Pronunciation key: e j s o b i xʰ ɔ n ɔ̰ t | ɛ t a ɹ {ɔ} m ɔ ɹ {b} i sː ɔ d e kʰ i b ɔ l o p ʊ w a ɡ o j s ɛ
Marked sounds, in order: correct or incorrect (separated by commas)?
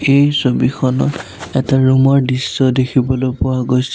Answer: incorrect, incorrect